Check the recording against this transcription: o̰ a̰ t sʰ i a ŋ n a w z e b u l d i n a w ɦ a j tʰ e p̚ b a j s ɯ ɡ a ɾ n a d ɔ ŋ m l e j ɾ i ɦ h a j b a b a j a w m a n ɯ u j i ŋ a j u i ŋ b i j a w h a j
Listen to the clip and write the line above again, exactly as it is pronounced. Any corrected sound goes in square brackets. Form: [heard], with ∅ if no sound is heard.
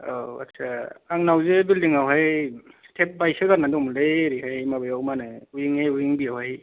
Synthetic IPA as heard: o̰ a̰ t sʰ [a] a ŋ n a w z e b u l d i [ŋ] a w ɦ a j tʰ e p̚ b a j s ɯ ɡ a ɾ n a d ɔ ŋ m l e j ɾ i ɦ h a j [m] a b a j a w m a n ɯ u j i ŋ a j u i ŋ b i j a w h a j

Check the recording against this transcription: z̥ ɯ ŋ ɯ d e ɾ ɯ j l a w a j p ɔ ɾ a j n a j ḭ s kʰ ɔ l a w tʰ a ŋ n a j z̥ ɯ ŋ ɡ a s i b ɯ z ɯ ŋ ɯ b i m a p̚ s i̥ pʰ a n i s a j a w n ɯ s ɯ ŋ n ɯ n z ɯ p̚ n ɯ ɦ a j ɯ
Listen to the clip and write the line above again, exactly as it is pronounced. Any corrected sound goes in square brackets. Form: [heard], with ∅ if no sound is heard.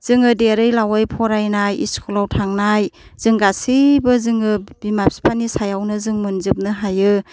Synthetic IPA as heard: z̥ ɯ ŋ ɯ d e ɾ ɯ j l a w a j [pʰ] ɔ ɾ a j n a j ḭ s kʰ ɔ l a w tʰ a ŋ n a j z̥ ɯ ŋ ɡ a s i b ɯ z ɯ ŋ ɯ b i m a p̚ s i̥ pʰ a n i s a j a w n ɯ [z] ɯ ŋ [m] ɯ n z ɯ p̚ n ɯ ɦ a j ɯ

